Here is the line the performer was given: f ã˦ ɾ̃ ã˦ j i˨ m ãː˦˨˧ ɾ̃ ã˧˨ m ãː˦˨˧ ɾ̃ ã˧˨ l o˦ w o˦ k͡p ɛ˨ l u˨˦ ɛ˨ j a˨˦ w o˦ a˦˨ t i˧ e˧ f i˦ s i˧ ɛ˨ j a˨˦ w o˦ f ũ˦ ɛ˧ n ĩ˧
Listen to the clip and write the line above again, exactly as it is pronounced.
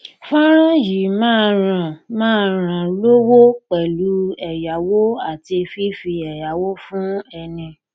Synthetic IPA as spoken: f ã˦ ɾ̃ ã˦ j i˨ m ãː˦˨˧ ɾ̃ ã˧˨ m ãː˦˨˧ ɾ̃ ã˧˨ l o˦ w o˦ k͡p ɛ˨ l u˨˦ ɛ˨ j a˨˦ w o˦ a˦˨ t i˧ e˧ f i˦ f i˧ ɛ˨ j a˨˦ w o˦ f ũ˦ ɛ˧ n ĩ˧

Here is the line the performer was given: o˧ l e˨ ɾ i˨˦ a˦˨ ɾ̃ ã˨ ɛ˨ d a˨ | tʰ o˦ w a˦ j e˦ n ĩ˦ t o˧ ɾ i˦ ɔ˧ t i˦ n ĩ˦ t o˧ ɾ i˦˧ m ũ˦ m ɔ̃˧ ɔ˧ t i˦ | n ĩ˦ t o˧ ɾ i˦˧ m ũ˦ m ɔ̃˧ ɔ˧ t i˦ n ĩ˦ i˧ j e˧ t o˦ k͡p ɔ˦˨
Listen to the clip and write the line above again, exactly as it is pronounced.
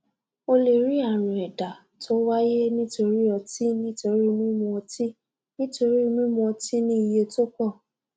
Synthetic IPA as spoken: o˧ l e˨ ɾ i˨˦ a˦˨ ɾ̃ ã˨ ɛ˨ d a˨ | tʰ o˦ w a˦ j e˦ n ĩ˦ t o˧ ɾ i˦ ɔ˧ t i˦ n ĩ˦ t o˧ ɾ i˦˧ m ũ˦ m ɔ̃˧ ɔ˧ t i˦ | n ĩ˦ t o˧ ɾ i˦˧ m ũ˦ m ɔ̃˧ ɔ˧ t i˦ n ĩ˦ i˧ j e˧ t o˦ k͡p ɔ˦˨

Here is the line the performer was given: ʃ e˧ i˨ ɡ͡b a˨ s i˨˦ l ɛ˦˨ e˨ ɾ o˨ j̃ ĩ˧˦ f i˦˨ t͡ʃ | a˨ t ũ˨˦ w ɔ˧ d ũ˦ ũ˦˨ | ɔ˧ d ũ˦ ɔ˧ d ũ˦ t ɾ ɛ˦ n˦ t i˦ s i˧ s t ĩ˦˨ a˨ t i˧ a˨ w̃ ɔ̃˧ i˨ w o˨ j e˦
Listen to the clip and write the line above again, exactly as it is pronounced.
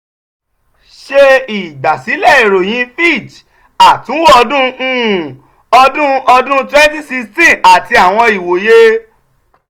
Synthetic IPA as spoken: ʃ e˧ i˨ ɡ͡b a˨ s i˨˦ l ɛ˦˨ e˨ ɾ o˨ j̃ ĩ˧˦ f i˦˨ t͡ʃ | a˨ t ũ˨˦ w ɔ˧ d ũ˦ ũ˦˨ | ɔ˧ d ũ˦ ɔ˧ d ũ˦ t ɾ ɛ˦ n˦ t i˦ s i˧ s t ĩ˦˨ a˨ t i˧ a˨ w̃ ɔ̃˧ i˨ w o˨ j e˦

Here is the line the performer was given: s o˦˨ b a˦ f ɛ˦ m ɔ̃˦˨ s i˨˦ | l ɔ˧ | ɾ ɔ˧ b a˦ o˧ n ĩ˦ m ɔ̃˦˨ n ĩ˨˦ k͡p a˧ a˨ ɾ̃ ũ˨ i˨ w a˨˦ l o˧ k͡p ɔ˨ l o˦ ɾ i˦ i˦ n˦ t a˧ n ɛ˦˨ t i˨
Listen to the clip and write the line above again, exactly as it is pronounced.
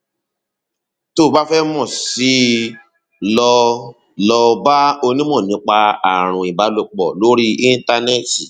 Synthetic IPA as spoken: t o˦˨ b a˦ f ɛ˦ m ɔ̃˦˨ s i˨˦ | l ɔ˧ | l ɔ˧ b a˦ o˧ n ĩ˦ m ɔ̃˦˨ n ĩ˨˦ k͡p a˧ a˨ ɾ̃ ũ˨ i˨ b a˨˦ l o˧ k͡p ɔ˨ l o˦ ɾ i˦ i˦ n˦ t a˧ n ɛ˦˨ t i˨

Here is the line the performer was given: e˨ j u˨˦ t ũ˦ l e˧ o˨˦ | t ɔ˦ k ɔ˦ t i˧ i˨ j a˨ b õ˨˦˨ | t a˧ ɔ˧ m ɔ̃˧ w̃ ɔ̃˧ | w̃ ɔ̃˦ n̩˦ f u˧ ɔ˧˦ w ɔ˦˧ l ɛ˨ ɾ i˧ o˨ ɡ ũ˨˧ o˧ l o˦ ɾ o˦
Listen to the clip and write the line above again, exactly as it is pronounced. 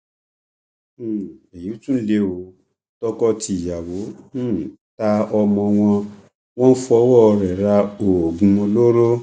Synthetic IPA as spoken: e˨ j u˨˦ t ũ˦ l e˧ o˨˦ | t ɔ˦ k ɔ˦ t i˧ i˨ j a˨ w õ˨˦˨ | t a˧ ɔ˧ m ɔ̃˧ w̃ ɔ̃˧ | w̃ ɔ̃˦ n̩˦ f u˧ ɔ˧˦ w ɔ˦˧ ɾ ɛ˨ ɾ a˧ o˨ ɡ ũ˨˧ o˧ l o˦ ɾ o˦

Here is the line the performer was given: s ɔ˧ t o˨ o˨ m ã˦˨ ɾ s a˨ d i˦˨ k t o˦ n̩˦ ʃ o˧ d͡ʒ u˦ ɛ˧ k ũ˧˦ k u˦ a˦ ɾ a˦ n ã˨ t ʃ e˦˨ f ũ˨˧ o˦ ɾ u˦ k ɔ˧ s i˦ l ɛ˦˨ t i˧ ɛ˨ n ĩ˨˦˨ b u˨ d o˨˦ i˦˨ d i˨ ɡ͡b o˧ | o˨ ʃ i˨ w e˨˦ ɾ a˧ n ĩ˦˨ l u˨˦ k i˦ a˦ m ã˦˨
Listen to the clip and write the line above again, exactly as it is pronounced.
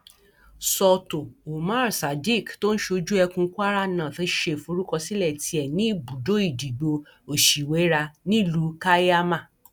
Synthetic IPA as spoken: s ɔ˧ t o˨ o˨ m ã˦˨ ɾ s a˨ d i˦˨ k t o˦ n̩˦ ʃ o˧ d͡ʒ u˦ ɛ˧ k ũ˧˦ k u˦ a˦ ɾ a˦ n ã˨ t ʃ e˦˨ f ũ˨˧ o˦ ɾ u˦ k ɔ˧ s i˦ l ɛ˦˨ t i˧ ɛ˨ n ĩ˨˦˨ b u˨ d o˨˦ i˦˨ d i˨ ɡ͡b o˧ | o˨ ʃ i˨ w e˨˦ ɾ a˧ n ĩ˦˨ l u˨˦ k a˦ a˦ m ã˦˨

